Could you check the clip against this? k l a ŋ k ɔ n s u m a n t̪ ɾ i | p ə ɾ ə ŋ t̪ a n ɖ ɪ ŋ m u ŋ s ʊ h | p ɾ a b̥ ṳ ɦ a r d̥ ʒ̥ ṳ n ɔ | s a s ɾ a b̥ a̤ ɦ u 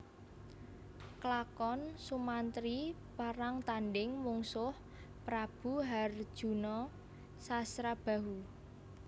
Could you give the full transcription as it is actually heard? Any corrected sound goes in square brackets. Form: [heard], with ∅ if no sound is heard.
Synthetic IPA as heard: k l a [∅] k ɔ n s u m a n t̪ ɾ i | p [a] ɾ [a] ŋ t̪ a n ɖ ɪ ŋ m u ŋ s ʊ h | p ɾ a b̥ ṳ ɦ a r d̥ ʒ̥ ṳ n ɔ | s a s ɾ a b̥ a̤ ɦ u